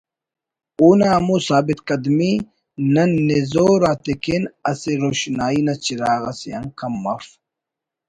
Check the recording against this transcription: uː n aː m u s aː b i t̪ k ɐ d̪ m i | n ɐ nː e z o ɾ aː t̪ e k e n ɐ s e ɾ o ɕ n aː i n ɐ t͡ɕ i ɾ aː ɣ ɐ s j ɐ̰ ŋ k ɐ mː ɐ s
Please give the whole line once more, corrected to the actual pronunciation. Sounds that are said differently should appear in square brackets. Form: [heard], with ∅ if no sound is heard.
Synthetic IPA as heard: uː n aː m u s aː b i t̪ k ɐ d̪ m i | n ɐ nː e z o ɾ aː t̪ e k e n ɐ s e ɾ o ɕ n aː i n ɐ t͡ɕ i ɾ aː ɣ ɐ s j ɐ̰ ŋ k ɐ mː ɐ [f]